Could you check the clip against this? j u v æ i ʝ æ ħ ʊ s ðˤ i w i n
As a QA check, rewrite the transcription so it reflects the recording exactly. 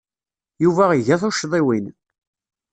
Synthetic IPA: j u v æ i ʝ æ θ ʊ ʃ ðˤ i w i n

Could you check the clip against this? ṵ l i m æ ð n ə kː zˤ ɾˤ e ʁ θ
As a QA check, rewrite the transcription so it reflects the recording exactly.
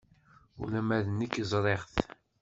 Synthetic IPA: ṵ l æ m æ ð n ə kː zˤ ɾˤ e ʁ θ

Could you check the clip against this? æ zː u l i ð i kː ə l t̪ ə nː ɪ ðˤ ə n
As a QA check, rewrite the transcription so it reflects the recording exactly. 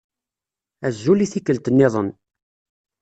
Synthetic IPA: æ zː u l i θ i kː ə l t̪ ə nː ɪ ðˤ ə n

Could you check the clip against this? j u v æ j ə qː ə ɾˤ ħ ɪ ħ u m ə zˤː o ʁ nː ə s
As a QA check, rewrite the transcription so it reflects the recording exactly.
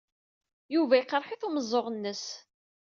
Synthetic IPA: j u v æ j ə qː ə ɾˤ ħ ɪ θ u m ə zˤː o ʁ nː ə s

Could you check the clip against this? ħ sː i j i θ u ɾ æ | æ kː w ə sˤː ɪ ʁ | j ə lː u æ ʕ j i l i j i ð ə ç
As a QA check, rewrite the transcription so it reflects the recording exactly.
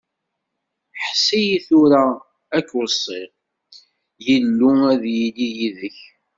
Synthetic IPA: ħ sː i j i θ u ɾ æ | æ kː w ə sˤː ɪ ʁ | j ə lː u æ ð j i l i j i ð ə ç

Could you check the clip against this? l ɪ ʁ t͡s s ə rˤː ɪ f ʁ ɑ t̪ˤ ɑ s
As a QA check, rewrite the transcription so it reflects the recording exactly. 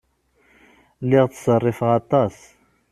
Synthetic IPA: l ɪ ʁ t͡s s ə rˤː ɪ f ʁ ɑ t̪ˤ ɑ s

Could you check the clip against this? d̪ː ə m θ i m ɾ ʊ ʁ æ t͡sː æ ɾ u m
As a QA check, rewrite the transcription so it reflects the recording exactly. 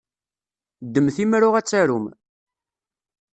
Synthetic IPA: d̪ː ə m θ i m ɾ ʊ ʁ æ t͡sː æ ɾ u m

